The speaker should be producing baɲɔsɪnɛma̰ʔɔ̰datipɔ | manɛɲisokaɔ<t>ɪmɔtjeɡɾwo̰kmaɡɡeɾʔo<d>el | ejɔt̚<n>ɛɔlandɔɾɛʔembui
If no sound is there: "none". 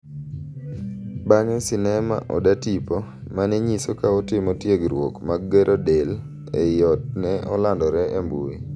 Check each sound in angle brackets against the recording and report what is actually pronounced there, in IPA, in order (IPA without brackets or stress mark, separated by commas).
t, d, n